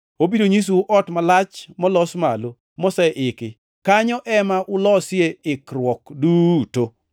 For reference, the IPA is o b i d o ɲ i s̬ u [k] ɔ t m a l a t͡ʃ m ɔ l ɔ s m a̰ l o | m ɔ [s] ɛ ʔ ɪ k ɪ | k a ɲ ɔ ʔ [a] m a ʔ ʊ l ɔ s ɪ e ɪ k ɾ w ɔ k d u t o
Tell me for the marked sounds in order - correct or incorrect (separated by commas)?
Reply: incorrect, correct, incorrect